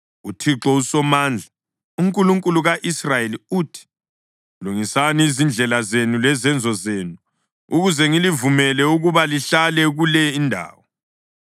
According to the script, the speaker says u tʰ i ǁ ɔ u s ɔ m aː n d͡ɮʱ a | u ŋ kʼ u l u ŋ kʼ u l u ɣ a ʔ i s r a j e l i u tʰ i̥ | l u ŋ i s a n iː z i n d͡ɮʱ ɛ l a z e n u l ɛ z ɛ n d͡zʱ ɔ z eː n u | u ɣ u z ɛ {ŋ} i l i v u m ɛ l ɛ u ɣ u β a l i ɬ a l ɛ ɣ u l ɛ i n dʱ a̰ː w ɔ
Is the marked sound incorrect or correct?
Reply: correct